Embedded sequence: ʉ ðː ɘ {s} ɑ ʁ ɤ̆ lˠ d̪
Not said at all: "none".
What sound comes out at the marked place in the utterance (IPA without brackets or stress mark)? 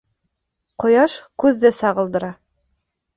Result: s